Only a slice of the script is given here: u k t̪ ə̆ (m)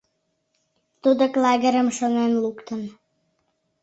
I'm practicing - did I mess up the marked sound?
yes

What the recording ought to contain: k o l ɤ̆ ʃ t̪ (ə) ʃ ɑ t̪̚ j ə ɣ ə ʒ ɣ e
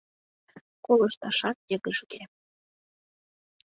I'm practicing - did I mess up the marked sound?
yes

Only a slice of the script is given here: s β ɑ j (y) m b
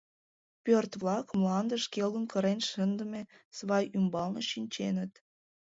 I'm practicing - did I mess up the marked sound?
no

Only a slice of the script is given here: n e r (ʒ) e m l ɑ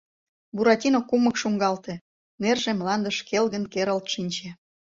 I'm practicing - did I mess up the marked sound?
no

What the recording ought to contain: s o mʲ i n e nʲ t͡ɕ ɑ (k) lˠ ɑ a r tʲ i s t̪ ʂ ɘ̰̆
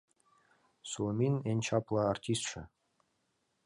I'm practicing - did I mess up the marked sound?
yes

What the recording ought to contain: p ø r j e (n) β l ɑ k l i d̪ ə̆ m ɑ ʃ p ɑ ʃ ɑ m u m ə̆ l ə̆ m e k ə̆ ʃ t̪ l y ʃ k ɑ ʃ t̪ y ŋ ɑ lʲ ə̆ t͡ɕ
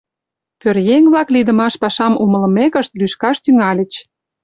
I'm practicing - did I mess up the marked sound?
yes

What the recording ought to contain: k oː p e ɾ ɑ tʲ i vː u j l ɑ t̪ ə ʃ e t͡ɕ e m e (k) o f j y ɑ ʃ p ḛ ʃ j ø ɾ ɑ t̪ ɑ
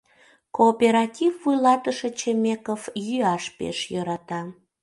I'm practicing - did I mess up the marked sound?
no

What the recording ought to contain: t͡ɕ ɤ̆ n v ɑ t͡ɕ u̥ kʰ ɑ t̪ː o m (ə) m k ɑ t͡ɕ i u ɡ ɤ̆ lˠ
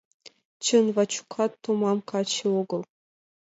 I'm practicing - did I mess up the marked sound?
yes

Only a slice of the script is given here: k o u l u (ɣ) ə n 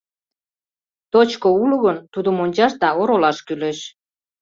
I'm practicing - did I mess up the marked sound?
no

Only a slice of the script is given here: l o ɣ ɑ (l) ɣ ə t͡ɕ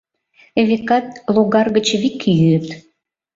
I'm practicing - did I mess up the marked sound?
yes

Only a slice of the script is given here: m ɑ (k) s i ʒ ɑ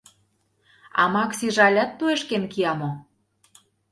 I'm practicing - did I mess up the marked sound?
no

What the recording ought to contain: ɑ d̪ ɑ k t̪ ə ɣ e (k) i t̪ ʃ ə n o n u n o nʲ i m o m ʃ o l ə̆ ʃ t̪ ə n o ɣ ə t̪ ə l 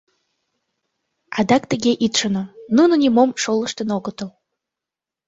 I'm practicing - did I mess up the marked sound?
yes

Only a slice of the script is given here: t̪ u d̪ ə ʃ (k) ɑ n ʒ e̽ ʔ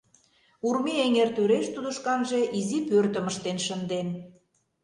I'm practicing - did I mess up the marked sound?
no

